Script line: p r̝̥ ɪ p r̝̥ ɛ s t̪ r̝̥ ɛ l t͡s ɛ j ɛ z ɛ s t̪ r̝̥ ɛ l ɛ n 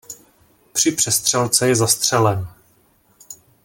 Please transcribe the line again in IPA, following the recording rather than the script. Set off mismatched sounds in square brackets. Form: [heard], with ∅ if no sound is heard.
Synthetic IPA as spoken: p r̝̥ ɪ p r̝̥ ɛ s t̪ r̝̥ ɛ l t͡s ɛ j ɛ z [a] s t̪ r̝̥ ɛ l ɛ n

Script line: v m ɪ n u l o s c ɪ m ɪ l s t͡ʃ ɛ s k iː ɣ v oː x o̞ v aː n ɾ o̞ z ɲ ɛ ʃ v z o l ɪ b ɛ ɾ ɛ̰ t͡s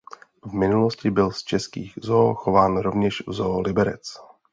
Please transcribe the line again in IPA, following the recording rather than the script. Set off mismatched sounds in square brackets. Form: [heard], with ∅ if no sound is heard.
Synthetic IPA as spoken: v m ɪ n u l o s c ɪ [b] ɪ l s t͡ʃ ɛ s k iː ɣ [z] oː x o̞ v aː n ɾ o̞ [v] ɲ ɛ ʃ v z o l ɪ b ɛ ɾ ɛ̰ t͡s

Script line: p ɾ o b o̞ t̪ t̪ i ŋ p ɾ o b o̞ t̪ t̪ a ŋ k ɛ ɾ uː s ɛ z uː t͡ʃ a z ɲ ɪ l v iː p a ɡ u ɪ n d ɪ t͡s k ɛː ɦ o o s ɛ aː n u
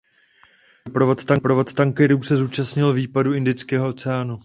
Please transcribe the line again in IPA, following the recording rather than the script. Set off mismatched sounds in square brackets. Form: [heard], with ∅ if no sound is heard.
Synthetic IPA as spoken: p ɾ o [v] o̞ t̪ t̪ [a] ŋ p ɾ o [v] o̞ t̪ t̪ a ŋ k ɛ ɾ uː s ɛ z uː t͡ʃ a [s] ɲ ɪ l v iː p a [d] u ɪ n d ɪ t͡s k ɛː ɦ o o [t͡s] ɛ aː n u

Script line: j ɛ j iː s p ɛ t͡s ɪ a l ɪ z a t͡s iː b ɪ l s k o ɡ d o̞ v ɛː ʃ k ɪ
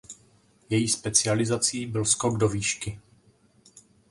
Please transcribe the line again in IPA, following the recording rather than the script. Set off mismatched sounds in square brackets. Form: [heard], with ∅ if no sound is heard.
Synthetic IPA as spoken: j ɛ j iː s p ɛ t͡s ɪ a l ɪ z a t͡s iː b ɪ l s k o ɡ d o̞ v [iː] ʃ k ɪ

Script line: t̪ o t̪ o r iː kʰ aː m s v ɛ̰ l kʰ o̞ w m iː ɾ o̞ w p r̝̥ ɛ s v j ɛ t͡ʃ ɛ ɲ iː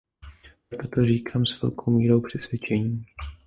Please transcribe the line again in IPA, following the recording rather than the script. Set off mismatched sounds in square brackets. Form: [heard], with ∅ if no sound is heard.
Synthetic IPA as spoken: t̪ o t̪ o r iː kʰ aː m s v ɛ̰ l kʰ o̞ w m iː ɾ o̞ w p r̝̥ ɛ s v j ɛ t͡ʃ ɛ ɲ iː

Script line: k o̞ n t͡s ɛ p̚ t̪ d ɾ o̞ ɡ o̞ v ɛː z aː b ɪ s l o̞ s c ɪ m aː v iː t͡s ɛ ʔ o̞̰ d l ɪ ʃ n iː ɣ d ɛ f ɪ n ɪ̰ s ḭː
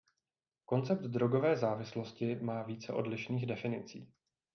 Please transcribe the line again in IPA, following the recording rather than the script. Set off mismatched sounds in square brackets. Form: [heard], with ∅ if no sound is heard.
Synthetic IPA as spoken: k o̞ n t͡s ɛ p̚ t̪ d ɾ o̞ ɡ o̞ v ɛː z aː [v] ɪ s l o̞ s c ɪ m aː v iː t͡s ɛ ʔ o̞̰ d l ɪ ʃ n iː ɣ d ɛ f ɪ n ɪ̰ [t͡s] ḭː

